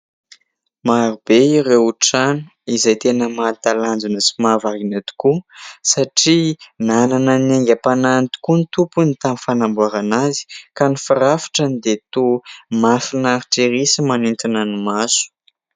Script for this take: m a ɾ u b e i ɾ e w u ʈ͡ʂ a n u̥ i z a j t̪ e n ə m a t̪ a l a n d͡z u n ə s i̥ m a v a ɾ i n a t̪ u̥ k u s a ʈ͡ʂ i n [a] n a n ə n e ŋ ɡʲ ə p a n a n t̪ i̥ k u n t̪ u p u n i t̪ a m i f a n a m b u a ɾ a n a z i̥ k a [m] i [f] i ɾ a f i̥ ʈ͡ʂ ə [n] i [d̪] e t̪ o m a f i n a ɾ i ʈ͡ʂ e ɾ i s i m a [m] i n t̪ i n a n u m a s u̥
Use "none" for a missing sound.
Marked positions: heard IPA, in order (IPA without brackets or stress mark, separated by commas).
a, n, f, n, d̪, n